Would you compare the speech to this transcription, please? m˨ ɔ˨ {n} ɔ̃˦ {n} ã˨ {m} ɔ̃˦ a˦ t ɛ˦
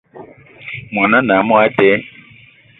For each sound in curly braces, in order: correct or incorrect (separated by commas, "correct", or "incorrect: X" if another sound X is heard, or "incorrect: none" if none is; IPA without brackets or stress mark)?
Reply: correct, correct, correct